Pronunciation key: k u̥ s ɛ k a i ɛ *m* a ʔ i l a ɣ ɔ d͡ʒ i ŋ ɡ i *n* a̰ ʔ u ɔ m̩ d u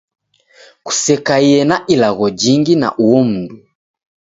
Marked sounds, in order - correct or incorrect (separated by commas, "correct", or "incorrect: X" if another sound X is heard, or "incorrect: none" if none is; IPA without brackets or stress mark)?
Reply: incorrect: n, correct